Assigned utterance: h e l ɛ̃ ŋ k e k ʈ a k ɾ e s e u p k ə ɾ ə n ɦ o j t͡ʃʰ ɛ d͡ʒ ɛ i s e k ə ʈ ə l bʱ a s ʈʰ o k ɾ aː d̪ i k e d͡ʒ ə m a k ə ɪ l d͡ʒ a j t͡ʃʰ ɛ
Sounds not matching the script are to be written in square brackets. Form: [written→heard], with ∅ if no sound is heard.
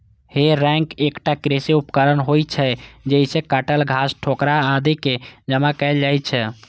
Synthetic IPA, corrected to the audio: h e [l→ɾ] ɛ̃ ŋ k e k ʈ a k ɾ e s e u p k ə ɾ ə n ɦ o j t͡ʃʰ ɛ d͡ʒ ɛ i s e k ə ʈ ə l [bʱ→ɡʱ] a s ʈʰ o k ɾ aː d̪ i k e d͡ʒ ə m a k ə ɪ l d͡ʒ a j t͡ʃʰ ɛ